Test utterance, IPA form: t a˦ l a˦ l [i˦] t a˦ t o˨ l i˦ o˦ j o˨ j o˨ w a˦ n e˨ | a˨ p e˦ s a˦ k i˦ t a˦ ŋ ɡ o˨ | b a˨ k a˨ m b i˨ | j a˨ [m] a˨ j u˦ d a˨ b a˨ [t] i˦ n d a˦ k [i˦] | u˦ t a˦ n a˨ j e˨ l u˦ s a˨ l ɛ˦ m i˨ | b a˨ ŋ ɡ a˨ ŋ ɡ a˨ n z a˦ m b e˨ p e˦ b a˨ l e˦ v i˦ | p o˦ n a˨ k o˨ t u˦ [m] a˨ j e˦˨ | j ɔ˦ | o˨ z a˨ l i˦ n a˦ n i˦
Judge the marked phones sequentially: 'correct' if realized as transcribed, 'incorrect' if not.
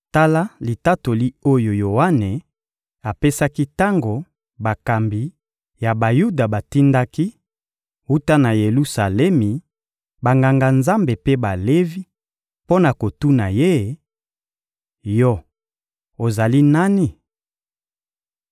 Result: incorrect, incorrect, correct, correct, incorrect

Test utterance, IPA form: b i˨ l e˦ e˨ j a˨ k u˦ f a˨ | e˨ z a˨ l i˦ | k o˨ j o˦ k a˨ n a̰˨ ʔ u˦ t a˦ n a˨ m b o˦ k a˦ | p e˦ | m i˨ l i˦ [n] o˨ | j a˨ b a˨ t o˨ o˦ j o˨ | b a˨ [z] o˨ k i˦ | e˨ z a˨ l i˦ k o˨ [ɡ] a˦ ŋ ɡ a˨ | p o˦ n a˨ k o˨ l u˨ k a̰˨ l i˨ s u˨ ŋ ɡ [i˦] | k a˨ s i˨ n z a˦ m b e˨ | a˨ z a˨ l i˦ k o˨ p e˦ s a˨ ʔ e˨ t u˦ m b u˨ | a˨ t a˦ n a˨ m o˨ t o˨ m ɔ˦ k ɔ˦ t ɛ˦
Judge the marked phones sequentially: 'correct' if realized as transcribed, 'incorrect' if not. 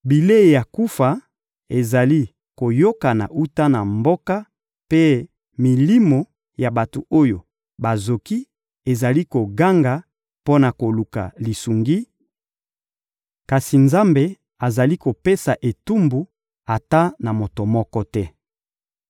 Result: incorrect, correct, correct, correct

